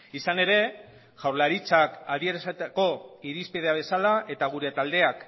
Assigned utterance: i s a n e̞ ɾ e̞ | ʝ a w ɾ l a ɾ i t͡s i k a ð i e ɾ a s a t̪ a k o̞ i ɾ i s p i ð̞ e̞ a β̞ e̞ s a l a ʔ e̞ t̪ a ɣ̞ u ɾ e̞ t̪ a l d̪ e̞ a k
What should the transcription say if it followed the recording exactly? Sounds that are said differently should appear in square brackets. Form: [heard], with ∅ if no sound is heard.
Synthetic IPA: i s a n e̞ ɾ e̞ | ʝ a w ɾ l a ɾ i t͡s [a] k a ð i e ɾ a s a t̪ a k o̞ i ɾ i s p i ð̞ e̞ a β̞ e̞ s a l a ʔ e̞ t̪ a ɣ̞ u ɾ e̞ t̪ a l d̪ e̞ a k